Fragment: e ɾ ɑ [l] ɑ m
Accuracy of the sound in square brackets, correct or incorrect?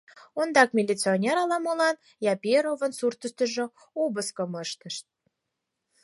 correct